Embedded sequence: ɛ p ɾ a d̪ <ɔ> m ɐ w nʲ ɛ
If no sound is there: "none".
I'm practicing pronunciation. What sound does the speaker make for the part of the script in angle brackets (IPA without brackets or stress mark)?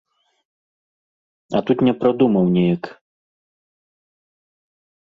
u